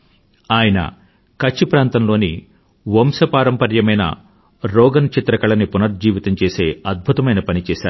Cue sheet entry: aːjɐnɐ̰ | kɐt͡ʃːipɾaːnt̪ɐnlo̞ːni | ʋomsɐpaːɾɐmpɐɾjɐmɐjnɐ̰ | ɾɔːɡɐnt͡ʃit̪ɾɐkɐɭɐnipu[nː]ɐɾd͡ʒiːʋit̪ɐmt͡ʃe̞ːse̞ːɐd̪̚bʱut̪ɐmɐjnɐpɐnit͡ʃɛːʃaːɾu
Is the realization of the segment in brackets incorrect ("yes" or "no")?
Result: yes